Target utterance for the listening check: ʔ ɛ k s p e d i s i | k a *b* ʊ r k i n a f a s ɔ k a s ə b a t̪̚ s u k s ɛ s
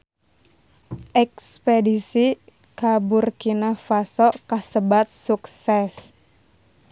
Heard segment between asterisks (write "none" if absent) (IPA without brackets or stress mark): b